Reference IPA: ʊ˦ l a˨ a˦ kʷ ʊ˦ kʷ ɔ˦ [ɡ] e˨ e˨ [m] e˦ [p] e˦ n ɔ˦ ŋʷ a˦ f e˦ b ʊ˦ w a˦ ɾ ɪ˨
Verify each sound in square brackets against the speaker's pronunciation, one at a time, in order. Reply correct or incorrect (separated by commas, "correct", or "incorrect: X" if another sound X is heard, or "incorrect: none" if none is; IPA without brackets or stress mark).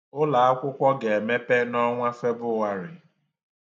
correct, correct, correct